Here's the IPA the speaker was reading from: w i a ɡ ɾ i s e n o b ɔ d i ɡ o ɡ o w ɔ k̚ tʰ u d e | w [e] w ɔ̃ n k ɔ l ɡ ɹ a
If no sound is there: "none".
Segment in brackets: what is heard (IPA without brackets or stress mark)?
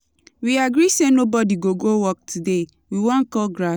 i